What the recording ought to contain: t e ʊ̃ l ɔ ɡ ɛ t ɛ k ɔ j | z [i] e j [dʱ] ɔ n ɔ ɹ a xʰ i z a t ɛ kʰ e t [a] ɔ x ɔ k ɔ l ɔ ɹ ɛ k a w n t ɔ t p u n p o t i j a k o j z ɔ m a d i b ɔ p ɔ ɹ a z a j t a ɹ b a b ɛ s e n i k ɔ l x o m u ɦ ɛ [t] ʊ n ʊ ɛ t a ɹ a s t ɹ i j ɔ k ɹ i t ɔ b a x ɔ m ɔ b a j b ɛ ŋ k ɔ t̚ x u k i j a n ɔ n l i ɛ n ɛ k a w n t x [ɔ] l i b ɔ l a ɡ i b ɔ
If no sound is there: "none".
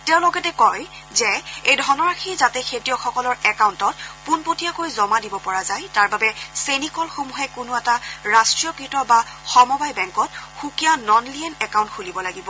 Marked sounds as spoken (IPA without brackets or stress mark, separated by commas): ɛ, dʱ, i, k, u